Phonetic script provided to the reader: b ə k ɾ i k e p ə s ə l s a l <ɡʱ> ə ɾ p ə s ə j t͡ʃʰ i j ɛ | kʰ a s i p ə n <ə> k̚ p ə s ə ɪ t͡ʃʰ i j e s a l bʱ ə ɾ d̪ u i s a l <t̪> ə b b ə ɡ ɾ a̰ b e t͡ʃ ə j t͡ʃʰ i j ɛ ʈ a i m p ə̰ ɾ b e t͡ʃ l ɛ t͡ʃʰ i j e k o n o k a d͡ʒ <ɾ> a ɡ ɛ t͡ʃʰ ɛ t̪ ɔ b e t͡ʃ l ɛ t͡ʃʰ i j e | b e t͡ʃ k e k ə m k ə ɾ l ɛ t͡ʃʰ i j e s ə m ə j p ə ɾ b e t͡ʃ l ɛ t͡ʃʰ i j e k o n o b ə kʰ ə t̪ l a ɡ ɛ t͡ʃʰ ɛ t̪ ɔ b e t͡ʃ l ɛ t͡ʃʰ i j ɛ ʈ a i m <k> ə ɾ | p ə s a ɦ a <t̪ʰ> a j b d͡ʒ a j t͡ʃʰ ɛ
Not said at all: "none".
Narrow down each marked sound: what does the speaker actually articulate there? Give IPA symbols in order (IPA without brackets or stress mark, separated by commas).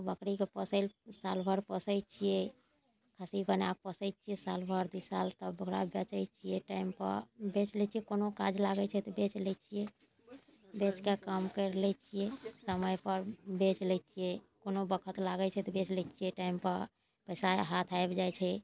bʱ, a, t̪, l, p, t̪ʰ